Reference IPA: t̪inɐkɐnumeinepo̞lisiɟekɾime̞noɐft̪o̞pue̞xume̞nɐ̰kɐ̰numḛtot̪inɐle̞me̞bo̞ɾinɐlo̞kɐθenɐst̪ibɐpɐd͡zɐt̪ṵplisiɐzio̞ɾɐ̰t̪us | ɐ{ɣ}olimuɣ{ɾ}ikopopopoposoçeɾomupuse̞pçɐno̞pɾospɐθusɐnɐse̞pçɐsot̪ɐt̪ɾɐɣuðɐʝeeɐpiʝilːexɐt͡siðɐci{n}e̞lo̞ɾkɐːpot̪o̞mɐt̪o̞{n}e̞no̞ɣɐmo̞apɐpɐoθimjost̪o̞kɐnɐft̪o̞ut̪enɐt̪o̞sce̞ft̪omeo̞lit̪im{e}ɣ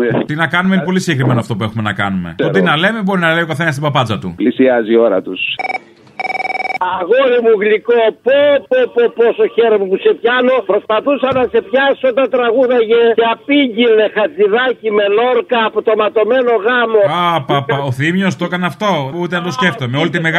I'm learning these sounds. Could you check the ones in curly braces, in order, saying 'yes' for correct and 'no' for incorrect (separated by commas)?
yes, no, no, no, yes